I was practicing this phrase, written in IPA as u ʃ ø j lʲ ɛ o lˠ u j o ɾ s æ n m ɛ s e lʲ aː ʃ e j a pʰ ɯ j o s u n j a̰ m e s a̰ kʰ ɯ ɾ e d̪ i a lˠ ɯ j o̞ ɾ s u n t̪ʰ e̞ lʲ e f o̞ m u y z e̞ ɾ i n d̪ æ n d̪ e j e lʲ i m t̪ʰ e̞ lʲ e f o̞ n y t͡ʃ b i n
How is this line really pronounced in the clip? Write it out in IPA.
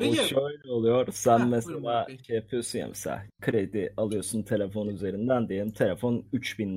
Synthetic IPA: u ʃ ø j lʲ ɛ o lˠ u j o ɾ s æ n m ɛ s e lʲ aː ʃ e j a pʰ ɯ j o s u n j a̰ m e s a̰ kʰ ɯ ɾ e d̪ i a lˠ ɯ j o̞ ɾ s u n t̪ʰ e̞ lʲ e f o̞ n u y z e̞ ɾ i n d̪ æ n d̪ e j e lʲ i m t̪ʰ e̞ lʲ e f o̞ n y t͡ʃ b i n